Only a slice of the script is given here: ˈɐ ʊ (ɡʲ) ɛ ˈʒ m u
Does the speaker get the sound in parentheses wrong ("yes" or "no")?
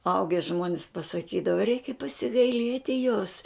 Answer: no